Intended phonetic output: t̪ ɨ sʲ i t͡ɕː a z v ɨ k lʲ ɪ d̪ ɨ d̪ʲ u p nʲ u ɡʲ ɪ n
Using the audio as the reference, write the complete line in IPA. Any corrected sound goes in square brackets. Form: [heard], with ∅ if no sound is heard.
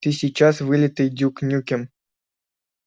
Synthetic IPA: t̪ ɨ sʲ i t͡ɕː a [s] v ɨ [∅] lʲ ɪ [t̪] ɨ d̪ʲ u [k] nʲ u [kʲ] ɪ [m]